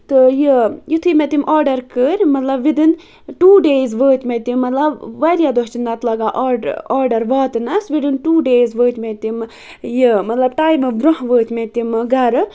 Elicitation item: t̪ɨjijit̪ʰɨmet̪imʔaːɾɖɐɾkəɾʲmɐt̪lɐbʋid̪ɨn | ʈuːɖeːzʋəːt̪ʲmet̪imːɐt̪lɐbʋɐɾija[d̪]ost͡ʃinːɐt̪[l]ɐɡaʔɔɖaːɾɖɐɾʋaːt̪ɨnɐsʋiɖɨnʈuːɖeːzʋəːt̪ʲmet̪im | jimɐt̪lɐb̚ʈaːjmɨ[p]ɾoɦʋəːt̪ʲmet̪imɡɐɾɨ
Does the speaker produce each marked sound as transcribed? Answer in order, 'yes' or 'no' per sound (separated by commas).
yes, yes, no